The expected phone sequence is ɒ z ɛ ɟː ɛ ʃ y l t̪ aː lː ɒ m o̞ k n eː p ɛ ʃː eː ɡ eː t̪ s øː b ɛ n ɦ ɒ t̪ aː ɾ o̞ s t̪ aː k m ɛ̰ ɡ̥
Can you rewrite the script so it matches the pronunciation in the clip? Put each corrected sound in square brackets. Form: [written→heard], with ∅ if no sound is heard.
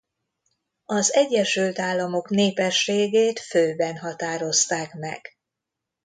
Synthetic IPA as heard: ɒ z ɛ ɟː ɛ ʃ y l t̪ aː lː ɒ m o̞ k n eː p ɛ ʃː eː ɡ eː t̪ [s→f] øː b ɛ n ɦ ɒ t̪ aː ɾ o̞ s t̪ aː k m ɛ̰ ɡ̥

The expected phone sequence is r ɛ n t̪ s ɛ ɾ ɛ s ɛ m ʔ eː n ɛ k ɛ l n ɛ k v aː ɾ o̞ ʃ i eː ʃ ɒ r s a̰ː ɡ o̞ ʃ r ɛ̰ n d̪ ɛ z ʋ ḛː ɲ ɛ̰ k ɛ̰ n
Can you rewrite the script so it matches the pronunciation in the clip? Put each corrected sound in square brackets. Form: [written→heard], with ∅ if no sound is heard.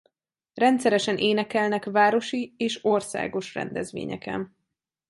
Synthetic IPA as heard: r ɛ n t̪ s ɛ ɾ ɛ [s→ʃ] ɛ [m→n] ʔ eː n ɛ k ɛ l n ɛ k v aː ɾ o̞ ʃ i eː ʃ [ɒ→o] r s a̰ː ɡ o̞ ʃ r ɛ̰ n d̪ ɛ z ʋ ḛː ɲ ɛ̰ k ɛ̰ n

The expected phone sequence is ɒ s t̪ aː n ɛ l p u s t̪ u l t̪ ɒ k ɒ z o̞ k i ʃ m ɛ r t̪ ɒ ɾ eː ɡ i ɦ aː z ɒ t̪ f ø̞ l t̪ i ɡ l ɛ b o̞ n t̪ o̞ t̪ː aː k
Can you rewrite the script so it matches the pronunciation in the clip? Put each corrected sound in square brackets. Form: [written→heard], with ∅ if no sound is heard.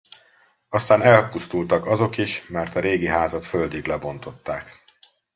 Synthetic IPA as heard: ɒ s t̪ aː n ɛ l p u s t̪ u l t̪ ɒ k ɒ z o̞ k i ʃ m ɛ r t̪ ɒ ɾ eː ɡ i ɦ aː z ɒ t̪ f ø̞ l [t̪→d̪] i ɡ l ɛ b o̞ n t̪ o̞ t̪ː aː k

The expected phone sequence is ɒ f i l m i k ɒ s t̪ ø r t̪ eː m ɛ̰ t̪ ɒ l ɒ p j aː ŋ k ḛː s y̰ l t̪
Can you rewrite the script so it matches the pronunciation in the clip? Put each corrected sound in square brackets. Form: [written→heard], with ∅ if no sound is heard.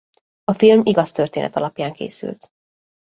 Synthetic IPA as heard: ɒ f i l m i [k→ɡ] ɒ s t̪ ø r t̪ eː [m→n] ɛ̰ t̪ ɒ l ɒ p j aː ŋ k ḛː s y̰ l t̪

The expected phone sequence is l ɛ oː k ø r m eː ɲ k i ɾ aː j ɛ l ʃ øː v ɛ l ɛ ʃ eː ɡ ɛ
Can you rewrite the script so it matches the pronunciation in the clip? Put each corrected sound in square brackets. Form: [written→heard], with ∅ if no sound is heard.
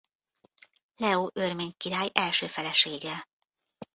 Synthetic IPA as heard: l ɛ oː [k→ʔ] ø r m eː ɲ k i ɾ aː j ɛ l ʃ øː [v→f] ɛ l ɛ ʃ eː ɡ ɛ

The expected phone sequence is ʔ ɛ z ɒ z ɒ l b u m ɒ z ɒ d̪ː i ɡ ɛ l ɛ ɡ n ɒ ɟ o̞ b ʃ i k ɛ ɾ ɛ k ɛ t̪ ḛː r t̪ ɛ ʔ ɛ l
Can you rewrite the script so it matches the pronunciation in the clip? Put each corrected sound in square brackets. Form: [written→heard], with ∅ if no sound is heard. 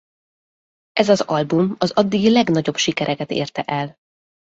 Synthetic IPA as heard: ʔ ɛ z ɒ z ɒ l b u m ɒ z ɒ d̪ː i ɡ [ɛ→i] l ɛ ɡ n ɒ ɟ o̞ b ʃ i k ɛ ɾ ɛ k ɛ t̪ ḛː r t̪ ɛ ʔ ɛ l

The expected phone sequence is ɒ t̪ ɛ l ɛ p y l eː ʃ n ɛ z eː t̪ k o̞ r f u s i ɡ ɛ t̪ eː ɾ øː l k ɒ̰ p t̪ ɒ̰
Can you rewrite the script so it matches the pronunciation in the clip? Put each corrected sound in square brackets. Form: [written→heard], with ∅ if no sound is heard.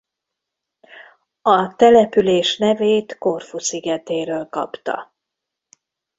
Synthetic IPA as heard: ɒ t̪ ɛ l ɛ p y l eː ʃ n ɛ [z→v] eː t̪ k o̞ r f u s i ɡ ɛ t̪ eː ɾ øː l k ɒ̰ p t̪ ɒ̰

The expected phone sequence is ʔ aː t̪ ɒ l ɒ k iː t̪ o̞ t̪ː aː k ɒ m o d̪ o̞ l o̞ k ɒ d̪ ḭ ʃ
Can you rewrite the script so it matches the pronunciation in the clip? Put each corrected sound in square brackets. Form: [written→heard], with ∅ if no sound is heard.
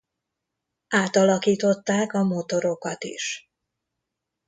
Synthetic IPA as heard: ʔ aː t̪ ɒ l ɒ k iː t̪ o̞ t̪ː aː k ɒ m o [d̪→t̪] o̞ [l→ɾ] o̞ k ɒ [d̪→t̪] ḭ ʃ

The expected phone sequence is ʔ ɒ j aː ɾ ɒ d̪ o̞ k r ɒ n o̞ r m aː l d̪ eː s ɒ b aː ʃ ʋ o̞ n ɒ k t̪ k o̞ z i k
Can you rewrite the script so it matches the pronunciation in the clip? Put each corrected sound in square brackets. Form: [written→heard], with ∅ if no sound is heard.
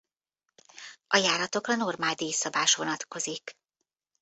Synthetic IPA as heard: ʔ ɒ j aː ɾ ɒ [d̪→t̪] o̞ k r ɒ n o̞ r m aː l d̪ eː s ɒ b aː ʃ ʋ o̞ n ɒ [k→∅] t̪ k o̞ z i k

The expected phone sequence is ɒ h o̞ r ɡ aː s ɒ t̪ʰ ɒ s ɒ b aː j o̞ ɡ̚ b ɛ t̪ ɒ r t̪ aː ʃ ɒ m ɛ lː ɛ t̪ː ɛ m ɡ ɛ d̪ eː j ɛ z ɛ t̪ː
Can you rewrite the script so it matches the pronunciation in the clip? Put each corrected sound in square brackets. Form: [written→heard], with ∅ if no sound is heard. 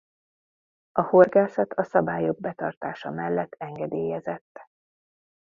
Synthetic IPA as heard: ɒ h o̞ r ɡ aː s ɒ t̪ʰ ɒ s ɒ b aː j o̞ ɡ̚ b ɛ t̪ ɒ r t̪ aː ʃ ɒ m ɛ lː ɛ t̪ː ɛ [m→ŋ] ɡ ɛ d̪ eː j ɛ z ɛ t̪ː

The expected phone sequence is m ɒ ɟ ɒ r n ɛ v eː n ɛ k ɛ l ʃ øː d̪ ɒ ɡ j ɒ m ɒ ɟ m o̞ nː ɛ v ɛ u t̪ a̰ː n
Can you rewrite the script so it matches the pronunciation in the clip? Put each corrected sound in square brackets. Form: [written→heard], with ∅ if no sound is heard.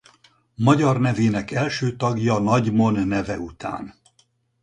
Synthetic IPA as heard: m ɒ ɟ ɒ r n ɛ v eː n ɛ k ɛ l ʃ øː [d̪→t̪] ɒ ɡ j ɒ [m→n] ɒ ɟ m o̞ nː ɛ v ɛ u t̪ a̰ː n

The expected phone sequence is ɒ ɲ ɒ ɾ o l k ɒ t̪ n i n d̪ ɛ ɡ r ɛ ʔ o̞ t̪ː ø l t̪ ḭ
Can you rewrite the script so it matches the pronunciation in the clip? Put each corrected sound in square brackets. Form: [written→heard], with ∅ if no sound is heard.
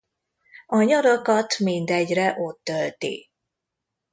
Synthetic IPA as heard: ɒ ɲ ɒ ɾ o [l→∅] k ɒ t̪ [n→m] i n d̪ ɛ [ɡ→ɟ] r ɛ ʔ o̞ t̪ː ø l t̪ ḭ

